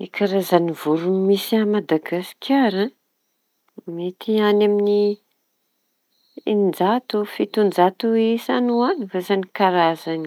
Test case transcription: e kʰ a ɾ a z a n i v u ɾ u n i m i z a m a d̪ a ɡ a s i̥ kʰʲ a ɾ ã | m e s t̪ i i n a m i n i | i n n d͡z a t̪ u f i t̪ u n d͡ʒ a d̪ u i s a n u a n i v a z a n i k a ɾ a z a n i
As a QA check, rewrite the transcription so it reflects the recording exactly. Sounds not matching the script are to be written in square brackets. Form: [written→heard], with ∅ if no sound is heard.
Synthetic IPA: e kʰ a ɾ a z a n i v u ɾ u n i m i [z→s] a m a d̪ a ɡ a s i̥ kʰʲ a ɾ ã | m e [s→∅] t̪ i [i→a] n a m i n i | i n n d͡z a t̪ u f i t̪ u n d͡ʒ a [d̪→t̪] u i s a n u a n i v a z a n i k a ɾ a z a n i